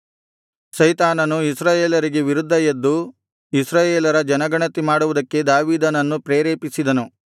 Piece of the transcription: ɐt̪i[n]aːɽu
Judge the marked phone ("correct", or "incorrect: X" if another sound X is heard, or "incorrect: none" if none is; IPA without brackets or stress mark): incorrect: m